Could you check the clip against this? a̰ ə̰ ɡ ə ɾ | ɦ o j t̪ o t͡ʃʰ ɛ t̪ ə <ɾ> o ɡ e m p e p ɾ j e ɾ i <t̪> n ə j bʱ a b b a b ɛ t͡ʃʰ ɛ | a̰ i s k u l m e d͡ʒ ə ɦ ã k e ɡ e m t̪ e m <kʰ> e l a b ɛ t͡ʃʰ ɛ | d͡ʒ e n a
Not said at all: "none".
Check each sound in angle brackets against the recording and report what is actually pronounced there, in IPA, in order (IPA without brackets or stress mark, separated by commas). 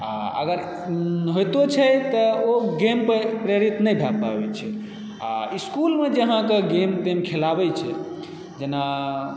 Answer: none, t̪, kʰ